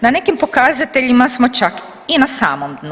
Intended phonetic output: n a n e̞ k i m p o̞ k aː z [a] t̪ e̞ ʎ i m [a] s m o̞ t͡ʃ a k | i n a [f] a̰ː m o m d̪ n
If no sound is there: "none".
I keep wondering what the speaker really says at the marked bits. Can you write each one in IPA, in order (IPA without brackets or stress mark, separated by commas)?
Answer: a, a, s